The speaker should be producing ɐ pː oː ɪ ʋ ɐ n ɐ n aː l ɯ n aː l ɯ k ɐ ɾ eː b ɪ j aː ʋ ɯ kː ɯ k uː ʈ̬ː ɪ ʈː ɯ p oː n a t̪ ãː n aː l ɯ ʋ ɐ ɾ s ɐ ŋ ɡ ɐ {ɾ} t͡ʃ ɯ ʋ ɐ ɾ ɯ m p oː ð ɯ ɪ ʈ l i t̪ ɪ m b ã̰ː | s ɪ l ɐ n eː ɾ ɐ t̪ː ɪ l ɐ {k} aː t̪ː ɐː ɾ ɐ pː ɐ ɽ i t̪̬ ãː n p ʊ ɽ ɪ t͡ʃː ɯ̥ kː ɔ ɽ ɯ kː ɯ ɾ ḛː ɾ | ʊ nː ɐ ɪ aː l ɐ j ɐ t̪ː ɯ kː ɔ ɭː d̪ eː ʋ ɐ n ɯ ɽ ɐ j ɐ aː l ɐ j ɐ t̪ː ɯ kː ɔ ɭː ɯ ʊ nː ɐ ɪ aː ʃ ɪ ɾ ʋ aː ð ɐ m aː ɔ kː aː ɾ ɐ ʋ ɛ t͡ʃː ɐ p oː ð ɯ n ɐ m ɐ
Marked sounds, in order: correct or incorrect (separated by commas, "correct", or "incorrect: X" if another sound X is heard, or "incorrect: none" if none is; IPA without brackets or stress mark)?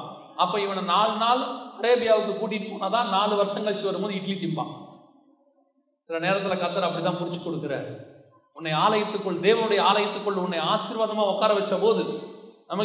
incorrect: ɭ, correct